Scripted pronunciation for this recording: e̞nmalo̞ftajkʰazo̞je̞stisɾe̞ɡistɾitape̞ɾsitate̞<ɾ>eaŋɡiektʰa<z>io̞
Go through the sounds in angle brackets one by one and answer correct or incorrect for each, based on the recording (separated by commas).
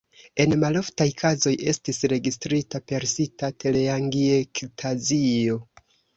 incorrect, correct